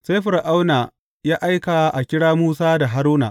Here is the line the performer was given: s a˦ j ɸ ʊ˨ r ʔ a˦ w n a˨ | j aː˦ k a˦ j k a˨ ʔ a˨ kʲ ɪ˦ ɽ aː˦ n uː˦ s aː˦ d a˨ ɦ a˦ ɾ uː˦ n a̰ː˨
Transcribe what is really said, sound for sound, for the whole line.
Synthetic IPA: s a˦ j ɸ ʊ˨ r ʔ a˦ w n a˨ | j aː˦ ʔ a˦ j k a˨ ʔ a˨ kʲ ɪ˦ ɽ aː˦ m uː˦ s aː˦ d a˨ ɦ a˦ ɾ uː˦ n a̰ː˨